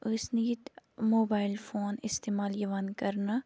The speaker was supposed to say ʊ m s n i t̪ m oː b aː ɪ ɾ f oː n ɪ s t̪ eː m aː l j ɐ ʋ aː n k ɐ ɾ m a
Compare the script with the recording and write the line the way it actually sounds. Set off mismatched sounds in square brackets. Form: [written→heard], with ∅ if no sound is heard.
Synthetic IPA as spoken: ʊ [m→∅] s n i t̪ m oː b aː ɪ [ɾ→l] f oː n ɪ s t̪ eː m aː l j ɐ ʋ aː n k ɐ ɾ [m→n] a

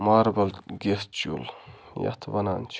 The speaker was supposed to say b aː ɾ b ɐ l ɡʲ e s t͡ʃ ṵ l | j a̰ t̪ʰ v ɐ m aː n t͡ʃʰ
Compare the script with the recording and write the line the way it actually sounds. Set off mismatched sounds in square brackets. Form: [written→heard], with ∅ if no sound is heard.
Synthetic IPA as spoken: [b→m] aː ɾ b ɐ l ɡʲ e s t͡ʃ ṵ l | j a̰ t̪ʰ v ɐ [m→n] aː n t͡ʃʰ

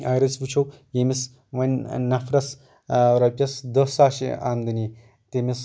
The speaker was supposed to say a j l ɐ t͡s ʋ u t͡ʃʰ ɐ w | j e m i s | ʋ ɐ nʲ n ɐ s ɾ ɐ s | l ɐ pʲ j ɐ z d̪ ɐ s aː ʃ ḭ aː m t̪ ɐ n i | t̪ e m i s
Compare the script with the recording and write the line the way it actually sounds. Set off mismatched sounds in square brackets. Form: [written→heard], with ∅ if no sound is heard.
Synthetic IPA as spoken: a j [l→ɾ] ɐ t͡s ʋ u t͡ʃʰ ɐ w | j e m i s | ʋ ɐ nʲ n ɐ [s→f] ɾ ɐ s | [l→ɾ] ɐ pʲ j ɐ [z→s] d̪ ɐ s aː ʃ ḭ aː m [t̪→d̪] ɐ n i | t̪ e m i s

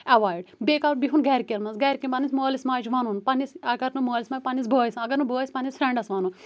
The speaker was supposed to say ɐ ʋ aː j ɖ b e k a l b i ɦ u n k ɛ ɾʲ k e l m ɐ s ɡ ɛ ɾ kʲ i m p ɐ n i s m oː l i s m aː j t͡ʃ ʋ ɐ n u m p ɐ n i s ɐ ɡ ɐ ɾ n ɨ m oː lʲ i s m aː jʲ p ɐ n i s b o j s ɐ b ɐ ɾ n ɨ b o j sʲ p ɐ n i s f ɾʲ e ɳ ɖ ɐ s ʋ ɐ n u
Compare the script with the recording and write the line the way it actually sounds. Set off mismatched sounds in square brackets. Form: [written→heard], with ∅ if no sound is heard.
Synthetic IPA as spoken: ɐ ʋ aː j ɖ b e k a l b i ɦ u n [k→ɡ] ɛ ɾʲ k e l m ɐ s ɡ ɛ ɾ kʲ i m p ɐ n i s m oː l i s m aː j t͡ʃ ʋ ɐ n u [m→n] p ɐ n i s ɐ ɡ ɐ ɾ n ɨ m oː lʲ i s m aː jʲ p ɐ n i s b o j s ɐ [b→ɡ] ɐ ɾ n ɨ b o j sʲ p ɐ n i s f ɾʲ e ɳ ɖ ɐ s ʋ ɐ n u

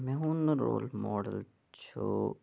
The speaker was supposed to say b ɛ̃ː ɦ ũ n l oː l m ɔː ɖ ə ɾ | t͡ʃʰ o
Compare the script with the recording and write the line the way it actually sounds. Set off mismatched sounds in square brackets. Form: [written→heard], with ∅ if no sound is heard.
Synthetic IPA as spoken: [b→m] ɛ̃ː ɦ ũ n [l→ɾ] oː l m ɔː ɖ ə [ɾ→l] | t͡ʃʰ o

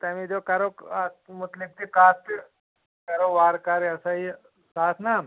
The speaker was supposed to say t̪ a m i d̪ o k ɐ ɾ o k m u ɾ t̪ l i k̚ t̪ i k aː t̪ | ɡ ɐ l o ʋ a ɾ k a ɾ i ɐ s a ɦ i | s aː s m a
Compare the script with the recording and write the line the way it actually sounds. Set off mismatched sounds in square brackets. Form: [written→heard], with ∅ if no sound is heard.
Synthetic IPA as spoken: t̪ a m i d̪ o k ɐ ɾ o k m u [ɾ→∅] t̪ l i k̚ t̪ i k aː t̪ | [ɡ→k] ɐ [l→ɾ] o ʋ a ɾ k a ɾ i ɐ s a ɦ i | s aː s [m→n] a

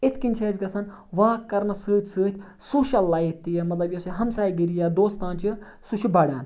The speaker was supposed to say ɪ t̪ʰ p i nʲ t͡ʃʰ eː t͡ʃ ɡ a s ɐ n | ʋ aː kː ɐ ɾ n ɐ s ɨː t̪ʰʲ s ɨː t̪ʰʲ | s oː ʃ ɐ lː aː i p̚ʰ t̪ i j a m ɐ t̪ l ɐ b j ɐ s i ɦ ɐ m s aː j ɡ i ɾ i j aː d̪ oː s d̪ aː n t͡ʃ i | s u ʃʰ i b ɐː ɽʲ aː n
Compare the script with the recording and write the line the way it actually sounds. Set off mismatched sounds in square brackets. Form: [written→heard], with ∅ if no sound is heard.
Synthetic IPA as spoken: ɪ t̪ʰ [p→k] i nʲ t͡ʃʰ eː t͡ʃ ɡ [a→ɐ] s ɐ n | ʋ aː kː ɐ ɾ n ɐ s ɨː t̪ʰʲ s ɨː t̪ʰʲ | s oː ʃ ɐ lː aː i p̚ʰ t̪ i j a m ɐ t̪ l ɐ b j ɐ s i ɦ ɐ m s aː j ɡ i ɾ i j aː d̪ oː s [d̪→t̪] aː n t͡ʃ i | s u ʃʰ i b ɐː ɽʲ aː n

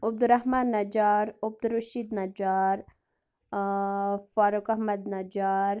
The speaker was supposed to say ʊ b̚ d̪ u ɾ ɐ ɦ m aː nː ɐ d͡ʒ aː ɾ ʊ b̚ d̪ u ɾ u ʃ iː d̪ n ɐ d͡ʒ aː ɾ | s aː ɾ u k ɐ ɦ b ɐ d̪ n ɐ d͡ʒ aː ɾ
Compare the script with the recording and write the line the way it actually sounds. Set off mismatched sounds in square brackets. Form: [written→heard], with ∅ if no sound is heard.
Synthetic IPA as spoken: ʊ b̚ d̪ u ɾ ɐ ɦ m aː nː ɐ d͡ʒ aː ɾ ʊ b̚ d̪ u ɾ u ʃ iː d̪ n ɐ d͡ʒ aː ɾ | [s→f] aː ɾ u k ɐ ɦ [b→m] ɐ d̪ n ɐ d͡ʒ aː ɾ

